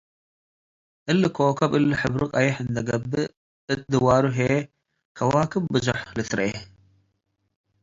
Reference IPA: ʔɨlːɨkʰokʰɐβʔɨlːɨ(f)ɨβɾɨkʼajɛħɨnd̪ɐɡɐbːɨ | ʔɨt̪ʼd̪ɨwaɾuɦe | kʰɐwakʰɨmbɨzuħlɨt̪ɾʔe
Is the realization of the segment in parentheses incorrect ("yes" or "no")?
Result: yes